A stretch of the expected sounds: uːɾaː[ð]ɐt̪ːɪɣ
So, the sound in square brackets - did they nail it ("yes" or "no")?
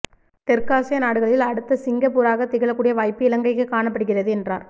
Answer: no